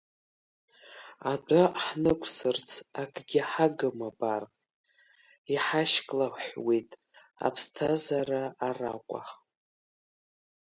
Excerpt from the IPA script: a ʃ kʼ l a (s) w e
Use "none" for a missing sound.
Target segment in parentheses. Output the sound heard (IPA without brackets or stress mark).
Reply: ħ